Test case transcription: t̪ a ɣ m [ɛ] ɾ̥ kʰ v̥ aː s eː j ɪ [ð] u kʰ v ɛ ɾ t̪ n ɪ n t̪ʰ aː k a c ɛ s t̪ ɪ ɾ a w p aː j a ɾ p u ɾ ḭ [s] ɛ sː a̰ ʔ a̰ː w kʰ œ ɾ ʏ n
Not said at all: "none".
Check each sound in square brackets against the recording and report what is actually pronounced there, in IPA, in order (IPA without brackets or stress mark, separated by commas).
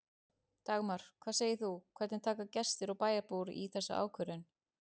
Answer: a, θ, θ